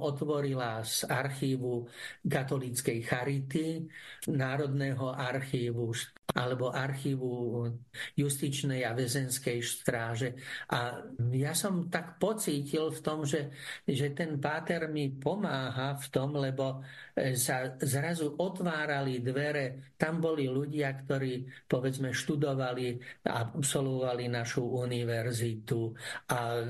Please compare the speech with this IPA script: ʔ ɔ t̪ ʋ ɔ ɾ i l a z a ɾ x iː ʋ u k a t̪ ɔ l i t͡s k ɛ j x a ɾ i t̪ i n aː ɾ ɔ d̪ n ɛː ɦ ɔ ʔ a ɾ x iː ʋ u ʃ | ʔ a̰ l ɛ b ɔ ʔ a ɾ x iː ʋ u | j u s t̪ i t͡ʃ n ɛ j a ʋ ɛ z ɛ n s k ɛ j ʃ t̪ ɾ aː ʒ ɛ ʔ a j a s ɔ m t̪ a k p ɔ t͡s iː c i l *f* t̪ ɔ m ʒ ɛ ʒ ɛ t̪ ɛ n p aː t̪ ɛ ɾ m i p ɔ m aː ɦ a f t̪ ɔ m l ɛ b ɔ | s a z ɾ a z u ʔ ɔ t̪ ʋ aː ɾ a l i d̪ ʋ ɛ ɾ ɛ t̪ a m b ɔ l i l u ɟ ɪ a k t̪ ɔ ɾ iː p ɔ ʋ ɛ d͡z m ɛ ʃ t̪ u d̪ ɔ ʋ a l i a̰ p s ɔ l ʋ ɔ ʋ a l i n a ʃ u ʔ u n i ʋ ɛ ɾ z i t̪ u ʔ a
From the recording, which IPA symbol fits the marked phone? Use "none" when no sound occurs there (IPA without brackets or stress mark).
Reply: f